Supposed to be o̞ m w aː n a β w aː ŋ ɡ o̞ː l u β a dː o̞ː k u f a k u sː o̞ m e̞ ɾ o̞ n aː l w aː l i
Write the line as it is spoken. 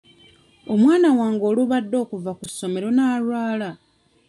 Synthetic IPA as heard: o̞ m w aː n a w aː ŋ ɡ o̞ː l u β a dː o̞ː k u v a k u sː o̞ m e̞ ɾ o̞ n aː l w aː l a